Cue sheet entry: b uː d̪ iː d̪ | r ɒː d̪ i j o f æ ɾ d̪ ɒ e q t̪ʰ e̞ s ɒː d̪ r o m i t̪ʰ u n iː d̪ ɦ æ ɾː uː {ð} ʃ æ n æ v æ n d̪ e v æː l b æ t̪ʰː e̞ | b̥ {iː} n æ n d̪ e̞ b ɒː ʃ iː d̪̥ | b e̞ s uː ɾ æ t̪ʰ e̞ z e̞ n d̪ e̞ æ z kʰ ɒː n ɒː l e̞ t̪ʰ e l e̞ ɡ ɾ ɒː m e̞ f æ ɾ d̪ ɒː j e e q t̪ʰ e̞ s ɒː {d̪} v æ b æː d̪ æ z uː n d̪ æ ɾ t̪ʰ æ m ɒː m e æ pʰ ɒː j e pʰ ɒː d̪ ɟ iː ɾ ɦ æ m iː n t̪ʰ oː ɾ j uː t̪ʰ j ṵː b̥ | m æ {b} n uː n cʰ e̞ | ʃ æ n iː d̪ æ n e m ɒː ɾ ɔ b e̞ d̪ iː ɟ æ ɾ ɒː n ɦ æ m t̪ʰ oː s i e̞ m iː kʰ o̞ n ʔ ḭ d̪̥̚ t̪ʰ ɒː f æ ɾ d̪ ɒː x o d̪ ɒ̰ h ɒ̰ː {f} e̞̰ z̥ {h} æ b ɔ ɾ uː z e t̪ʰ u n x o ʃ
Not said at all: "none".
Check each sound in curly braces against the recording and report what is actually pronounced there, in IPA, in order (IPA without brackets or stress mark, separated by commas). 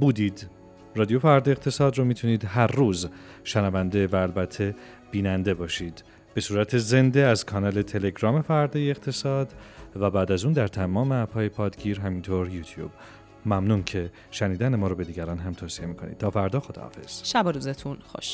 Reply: z, iː, d̪, m, f, ʃ